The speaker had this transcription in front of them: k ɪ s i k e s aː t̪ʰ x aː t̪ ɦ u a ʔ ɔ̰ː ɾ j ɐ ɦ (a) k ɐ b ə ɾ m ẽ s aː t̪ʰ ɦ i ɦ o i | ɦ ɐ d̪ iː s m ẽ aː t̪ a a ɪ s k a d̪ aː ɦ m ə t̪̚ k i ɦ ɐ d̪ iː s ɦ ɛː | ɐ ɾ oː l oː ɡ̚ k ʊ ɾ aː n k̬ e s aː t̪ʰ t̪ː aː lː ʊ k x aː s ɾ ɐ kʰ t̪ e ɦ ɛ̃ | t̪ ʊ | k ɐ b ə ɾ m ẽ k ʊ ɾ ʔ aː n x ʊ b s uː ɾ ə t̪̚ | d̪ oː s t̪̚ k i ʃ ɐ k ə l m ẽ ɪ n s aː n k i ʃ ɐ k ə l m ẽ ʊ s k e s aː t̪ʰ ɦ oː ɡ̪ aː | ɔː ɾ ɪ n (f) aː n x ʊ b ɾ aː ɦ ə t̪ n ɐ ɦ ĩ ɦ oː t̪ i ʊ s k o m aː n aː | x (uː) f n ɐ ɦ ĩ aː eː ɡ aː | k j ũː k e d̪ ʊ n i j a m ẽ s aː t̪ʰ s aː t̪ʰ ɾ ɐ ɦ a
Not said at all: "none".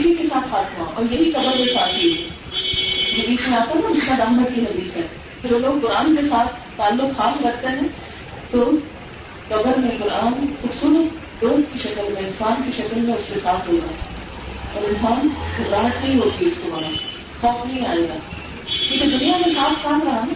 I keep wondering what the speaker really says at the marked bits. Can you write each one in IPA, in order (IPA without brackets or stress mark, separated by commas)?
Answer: i, s, ɔː